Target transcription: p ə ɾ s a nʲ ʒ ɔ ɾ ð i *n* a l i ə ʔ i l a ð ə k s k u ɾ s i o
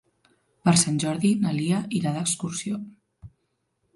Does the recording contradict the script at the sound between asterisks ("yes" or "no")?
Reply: no